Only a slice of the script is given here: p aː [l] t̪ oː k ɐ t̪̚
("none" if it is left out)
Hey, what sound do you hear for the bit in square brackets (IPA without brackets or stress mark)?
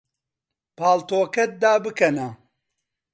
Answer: l